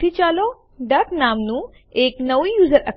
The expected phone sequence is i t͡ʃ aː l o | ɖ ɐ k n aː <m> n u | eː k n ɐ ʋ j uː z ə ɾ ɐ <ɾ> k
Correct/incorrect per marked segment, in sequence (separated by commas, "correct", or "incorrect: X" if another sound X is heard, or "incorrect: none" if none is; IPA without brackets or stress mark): correct, incorrect: none